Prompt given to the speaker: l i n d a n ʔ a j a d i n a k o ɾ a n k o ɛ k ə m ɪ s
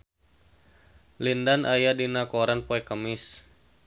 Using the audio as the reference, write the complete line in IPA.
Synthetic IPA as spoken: l i n d a n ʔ a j a d i n a k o ɾ a n p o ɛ k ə m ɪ s